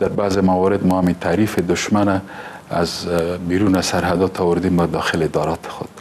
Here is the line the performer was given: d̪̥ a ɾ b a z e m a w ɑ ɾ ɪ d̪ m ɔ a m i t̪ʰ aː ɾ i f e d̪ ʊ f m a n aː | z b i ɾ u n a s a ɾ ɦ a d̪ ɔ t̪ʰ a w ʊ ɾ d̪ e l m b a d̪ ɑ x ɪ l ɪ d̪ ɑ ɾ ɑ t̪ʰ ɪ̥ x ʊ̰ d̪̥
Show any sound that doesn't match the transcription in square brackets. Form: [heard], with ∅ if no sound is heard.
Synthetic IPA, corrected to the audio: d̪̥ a ɾ b a z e m a w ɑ ɾ ɪ d̪ m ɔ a m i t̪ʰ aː ɾ i f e d̪ ʊ [ʃ] m a n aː | z b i ɾ u n a s a ɾ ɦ a d̪ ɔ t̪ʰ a w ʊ ɾ d̪ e [∅] m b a d̪ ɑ x ɪ l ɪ d̪ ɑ ɾ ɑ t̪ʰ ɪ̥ x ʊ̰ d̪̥